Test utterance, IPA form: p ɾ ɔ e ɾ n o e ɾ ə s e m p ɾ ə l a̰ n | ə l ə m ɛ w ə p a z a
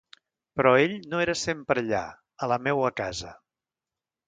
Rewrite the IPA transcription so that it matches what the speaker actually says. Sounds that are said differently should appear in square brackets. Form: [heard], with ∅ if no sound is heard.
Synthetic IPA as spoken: p ɾ ɔ e [ʎ] n o e ɾ ə s e m p ɾ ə [ʎ] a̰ [∅] | ə l ə m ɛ w ə [k] a z [ə]